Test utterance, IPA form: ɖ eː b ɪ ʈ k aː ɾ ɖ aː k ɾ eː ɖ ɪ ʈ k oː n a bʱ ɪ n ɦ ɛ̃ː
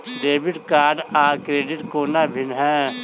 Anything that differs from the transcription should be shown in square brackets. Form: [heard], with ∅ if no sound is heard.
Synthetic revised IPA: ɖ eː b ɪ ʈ k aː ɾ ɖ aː k ɾ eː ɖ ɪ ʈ k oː n a bʱ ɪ n ɦ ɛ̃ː

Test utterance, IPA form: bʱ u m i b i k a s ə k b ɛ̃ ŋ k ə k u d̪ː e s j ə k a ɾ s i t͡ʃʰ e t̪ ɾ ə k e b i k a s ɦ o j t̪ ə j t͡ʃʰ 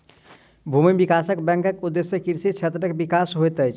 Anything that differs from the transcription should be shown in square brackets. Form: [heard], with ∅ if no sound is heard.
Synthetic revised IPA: bʱ u m i b i k a s ə k b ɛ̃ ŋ k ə k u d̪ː e s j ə k [i] ɾ s i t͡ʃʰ e t̪ ɾ ə k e b i k a s ɦ o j t̪ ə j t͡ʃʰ

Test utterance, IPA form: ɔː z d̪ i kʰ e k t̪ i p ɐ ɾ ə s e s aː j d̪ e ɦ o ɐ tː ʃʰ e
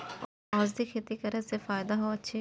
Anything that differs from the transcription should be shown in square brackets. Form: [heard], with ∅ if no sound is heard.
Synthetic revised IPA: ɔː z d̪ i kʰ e [∅] t̪ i [k] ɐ ɾ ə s e [f] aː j d̪ [a] ɦ o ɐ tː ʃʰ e

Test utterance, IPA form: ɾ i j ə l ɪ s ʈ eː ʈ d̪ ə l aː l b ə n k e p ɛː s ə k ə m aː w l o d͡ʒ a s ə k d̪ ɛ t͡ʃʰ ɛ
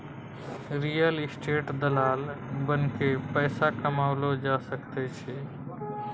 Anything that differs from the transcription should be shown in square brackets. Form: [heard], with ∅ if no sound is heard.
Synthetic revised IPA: ɾ i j ə l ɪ s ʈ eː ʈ d̪ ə l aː l b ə n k e p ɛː s [a] k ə m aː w l o d͡ʒ a s ə k [t̪] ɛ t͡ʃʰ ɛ

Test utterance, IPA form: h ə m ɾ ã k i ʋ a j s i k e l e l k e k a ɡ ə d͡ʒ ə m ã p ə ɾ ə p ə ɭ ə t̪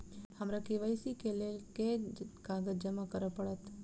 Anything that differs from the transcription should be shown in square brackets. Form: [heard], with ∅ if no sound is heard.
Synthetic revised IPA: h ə m ɾ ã k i ʋ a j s i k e l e l k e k a ɡ ə d͡ʒ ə m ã [k] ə ɾ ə p ə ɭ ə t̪

